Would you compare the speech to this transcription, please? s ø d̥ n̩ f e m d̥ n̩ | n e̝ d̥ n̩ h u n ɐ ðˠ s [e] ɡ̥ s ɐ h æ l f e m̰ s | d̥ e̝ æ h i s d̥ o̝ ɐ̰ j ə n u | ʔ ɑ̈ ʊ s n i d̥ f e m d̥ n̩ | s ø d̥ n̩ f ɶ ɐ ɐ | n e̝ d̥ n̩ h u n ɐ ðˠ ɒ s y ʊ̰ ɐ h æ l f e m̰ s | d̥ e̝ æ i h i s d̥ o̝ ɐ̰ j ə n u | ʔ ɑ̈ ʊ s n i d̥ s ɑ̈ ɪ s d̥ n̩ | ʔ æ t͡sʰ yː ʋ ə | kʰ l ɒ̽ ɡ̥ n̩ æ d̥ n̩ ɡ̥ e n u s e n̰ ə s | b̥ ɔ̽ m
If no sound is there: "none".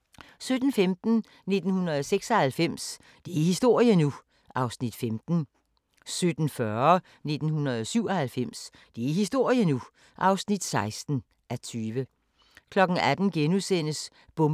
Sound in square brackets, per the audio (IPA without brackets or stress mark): e